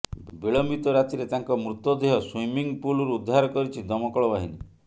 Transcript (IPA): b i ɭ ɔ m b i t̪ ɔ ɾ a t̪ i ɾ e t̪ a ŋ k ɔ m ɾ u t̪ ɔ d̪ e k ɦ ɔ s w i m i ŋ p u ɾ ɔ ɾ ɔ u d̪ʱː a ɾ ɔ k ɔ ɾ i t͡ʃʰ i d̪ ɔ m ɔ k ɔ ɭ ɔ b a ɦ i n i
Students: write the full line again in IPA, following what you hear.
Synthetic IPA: b i ɭ ɔ m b i t̪ ɔ ɾ a t̪ i ɾ e t̪ a ŋ k ɔ m ɾ u t̪ ɔ d̪ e ɦ ɔ s w i m i ŋ p u l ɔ ɾ u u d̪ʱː a ɾ ɔ k ɔ ɾ i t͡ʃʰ i d̪ ɔ m ɔ k ɔ ɭ ɔ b a ɦ i n i